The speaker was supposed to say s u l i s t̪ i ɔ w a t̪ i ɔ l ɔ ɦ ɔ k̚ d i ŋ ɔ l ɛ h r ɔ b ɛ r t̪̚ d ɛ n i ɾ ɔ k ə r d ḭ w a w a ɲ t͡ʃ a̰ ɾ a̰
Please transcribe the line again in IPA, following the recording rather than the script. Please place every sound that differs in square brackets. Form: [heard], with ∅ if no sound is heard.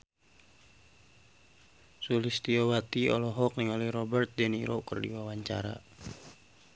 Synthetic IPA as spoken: s u l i s t̪ i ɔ w a t̪ i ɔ l ɔ ɦ ɔ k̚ [n] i ŋ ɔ l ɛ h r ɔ b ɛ r t̪̚ d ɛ n i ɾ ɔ k ə r d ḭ w a w a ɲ t͡ʃ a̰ ɾ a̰

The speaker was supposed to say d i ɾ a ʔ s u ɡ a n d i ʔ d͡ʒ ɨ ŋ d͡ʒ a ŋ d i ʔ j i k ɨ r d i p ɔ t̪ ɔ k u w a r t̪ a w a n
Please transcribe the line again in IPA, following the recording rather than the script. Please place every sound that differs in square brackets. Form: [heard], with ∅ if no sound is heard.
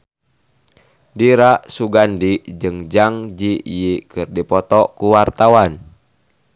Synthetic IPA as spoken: d i ɾ a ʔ s u ɡ a n d i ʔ d͡ʒ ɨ ŋ d͡ʒ a ŋ [d͡ʒ] i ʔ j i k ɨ r d i p ɔ t̪ ɔ k u w a r t̪ a w a n

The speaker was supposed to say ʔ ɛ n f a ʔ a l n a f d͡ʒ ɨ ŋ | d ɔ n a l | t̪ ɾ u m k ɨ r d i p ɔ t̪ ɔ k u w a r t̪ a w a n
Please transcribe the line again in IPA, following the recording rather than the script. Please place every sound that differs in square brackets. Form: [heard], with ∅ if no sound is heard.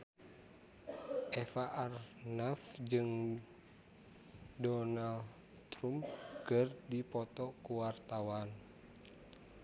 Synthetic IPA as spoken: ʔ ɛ [∅] f a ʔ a [r] n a f d͡ʒ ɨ ŋ | d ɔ n a l | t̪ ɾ u m k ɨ r d i p ɔ t̪ ɔ k u w a r t̪ a w a n

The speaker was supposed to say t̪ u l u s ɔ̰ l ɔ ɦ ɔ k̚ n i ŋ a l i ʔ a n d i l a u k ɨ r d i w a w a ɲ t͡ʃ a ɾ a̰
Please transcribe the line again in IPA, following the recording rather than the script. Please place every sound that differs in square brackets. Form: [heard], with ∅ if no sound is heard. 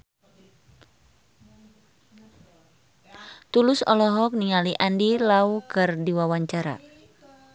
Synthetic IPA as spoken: t̪ u l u s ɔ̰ l ɔ ɦ ɔ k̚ n i ŋ a l i ʔ a n d i l a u k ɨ r d i w a w a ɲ t͡ʃ a ɾ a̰

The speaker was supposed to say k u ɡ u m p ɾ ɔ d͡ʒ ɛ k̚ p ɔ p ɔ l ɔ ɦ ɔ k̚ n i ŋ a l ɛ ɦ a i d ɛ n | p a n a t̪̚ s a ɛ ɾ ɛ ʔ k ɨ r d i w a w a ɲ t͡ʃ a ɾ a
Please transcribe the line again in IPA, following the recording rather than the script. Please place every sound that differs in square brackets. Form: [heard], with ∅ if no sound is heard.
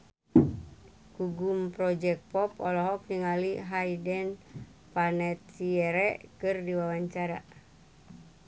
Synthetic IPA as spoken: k u ɡ u m p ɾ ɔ d͡ʒ ɛ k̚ p ɔ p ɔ l ɔ ɦ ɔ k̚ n i ŋ a l [i] ɦ a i d ɛ n | p a n [ɛ] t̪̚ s [i] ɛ ɾ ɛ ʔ k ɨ r d i w a w a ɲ t͡ʃ a ɾ a

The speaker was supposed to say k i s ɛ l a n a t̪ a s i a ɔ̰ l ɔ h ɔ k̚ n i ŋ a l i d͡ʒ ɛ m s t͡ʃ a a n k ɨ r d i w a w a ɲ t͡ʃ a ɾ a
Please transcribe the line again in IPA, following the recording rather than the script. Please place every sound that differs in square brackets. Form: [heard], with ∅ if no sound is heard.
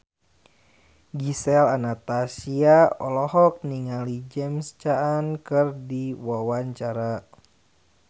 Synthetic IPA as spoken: [ɡ] i s ɛ l a n a t̪ a s i a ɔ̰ l ɔ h ɔ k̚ n i ŋ a l i d͡ʒ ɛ m s t͡ʃ a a n k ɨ r d i w a w a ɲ t͡ʃ a ɾ a

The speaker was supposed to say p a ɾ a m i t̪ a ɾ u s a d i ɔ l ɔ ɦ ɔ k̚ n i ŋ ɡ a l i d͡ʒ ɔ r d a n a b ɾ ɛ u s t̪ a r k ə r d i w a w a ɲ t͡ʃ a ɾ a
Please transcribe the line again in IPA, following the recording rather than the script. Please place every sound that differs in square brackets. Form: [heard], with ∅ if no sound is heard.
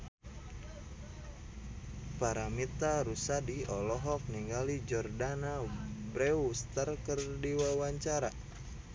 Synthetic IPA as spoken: p a ɾ a m i t̪ a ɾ u s a d i ɔ l ɔ ɦ ɔ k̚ n i ŋ ɡ a l i d͡ʒ ɔ r d a n a b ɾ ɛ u s t̪ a r k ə r d i w a w a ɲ t͡ʃ a ɾ a

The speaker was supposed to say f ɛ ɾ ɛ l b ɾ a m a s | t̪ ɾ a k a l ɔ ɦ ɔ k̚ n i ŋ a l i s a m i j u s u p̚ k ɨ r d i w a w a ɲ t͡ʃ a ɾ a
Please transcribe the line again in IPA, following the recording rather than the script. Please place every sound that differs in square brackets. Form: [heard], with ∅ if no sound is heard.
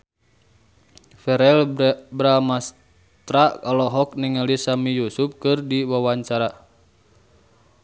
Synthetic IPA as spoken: f ɛ ɾ ɛ l b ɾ a m a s | t̪ ɾ a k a l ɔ ɦ ɔ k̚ n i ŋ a l i s a m i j u s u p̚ k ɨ r d i w a w a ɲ t͡ʃ a ɾ a

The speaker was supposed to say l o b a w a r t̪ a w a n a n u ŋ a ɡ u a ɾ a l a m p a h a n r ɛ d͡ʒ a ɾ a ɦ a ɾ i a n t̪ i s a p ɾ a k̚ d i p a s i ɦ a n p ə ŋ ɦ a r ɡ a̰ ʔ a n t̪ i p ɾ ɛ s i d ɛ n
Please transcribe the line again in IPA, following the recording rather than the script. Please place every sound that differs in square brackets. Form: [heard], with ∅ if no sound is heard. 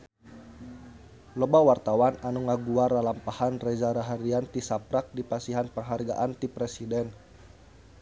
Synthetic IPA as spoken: l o b a w a r t̪ a w a n a n u ŋ a ɡ u a ɾ a l a m p a h a n r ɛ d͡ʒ a ɾ a ɦ a ɾ i a n t̪ i s a p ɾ a k̚ d i p a s i ɦ a n p ə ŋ ɦ a r ɡ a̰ ʔ a n t̪ i p ɾ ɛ s i d ɛ n

